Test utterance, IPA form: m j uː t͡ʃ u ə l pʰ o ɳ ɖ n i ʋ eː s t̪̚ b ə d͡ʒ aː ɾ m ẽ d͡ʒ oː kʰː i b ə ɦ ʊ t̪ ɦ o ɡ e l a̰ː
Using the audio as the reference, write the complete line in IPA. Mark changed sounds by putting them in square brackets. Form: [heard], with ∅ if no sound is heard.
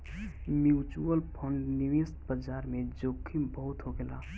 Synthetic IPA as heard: m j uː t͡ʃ u ə l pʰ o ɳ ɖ n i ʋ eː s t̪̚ b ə d͡ʒ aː ɾ m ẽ d͡ʒ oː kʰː i b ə ɦ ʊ t̪ ɦ o ɡ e l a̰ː